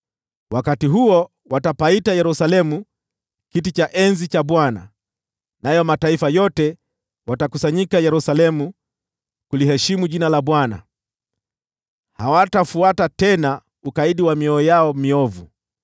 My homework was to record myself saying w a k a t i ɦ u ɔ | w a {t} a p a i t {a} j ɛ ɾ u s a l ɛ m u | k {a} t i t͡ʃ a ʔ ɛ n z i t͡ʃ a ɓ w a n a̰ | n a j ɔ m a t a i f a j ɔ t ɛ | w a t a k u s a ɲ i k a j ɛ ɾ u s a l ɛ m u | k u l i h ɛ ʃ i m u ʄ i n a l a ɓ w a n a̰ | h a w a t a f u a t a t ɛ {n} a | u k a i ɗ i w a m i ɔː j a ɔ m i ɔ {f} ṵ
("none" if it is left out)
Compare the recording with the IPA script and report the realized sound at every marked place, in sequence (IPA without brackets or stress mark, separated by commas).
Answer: t, a, i, n, v